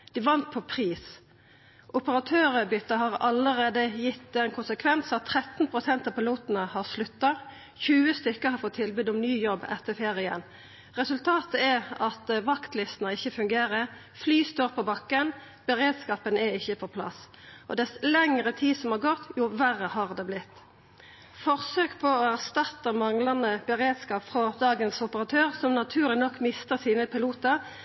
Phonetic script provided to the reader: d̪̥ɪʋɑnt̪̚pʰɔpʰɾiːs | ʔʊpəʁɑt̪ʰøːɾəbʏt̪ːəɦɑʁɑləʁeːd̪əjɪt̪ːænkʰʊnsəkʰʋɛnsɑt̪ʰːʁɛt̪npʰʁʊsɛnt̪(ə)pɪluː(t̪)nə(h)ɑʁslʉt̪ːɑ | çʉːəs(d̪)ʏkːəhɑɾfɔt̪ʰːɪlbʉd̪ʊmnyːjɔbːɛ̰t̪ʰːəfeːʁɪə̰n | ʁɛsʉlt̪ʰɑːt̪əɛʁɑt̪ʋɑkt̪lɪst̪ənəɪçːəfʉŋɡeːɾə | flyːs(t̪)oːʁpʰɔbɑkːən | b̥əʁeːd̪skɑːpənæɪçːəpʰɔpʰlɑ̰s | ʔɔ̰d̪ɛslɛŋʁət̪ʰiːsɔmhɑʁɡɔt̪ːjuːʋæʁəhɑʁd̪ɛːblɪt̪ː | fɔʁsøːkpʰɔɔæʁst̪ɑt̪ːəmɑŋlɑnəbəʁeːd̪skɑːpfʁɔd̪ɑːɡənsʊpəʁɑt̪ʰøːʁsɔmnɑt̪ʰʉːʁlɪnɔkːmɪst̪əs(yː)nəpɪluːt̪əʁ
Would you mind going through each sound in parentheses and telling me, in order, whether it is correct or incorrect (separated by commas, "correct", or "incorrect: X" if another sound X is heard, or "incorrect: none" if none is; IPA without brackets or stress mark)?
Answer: incorrect: ɑ, correct, correct, incorrect: t̪, correct, incorrect: iː